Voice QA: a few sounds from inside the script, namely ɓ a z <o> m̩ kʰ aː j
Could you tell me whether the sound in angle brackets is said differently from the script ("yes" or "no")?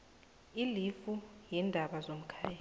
no